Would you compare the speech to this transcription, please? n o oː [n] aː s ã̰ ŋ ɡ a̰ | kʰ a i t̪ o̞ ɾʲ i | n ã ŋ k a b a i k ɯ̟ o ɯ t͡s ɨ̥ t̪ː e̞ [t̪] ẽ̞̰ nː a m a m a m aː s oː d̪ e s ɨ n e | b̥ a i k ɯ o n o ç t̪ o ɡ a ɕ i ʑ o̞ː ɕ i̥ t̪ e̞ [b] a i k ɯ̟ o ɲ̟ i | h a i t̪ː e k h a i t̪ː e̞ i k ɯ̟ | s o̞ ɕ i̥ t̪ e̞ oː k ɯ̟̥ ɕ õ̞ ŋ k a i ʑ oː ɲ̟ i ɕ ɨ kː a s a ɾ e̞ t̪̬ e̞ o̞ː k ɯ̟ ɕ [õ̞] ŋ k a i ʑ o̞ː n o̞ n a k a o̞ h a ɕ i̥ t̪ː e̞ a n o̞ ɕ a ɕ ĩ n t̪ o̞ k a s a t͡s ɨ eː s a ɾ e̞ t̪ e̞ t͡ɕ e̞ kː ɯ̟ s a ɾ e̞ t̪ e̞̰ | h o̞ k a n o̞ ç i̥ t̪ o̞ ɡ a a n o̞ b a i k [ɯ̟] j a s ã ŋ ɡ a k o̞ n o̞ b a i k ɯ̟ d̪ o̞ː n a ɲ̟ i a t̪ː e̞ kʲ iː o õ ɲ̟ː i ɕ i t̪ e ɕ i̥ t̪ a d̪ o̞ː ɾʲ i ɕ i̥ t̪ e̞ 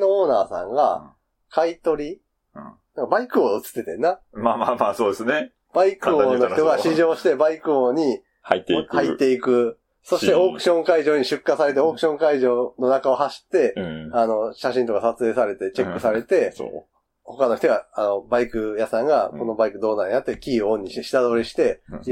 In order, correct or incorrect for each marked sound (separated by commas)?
correct, correct, correct, correct, correct